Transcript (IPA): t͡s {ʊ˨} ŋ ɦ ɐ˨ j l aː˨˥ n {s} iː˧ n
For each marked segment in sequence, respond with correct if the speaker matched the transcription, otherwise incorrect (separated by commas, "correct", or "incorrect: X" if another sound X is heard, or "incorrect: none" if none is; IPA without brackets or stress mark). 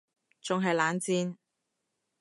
correct, incorrect: t͡s